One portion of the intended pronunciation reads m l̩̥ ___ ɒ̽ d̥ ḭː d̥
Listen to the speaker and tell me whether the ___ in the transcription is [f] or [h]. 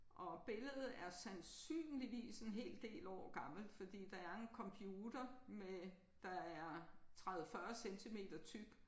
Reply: f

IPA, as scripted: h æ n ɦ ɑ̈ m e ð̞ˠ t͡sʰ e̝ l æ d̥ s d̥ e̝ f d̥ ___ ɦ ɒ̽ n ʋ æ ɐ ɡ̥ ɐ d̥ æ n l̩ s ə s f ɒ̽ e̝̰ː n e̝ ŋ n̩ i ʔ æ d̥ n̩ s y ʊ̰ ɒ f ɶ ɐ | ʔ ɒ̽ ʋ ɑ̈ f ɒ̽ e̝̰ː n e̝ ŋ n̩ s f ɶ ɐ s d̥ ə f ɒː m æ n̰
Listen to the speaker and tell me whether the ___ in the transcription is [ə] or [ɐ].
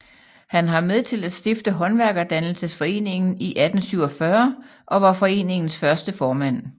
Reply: ə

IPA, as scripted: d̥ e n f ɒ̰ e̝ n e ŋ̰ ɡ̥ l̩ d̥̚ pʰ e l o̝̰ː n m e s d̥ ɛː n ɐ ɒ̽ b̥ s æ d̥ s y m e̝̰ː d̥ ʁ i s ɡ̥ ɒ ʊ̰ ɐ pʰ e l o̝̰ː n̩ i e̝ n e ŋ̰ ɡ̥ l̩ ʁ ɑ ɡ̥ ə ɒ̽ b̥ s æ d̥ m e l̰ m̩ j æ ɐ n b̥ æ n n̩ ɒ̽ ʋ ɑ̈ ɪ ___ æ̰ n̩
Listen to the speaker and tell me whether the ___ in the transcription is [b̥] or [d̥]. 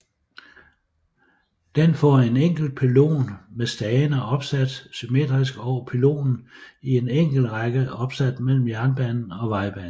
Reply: b̥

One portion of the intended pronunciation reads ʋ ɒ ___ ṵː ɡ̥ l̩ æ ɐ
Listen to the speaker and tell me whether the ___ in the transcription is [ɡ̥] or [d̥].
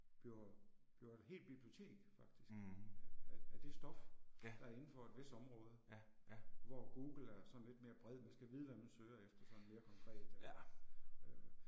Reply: ɡ̥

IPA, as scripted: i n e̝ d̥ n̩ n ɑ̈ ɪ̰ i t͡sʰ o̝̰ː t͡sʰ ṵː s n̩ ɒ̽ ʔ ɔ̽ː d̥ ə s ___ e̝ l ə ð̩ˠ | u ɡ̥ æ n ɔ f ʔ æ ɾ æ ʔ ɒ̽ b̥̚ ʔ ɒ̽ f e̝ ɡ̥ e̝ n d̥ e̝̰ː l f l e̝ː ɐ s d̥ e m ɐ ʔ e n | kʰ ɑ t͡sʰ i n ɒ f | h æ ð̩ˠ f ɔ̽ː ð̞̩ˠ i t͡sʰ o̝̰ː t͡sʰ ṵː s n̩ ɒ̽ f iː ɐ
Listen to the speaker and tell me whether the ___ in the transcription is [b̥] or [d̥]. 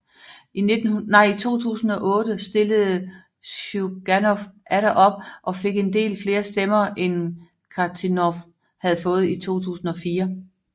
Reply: d̥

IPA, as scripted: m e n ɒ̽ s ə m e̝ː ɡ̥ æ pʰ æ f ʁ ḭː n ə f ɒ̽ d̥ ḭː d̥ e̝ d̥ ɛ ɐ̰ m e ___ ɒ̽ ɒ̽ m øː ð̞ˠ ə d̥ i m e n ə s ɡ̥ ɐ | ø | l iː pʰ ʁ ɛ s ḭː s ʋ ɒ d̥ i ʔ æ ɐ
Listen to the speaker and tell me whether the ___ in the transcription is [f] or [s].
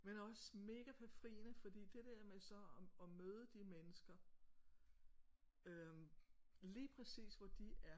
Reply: s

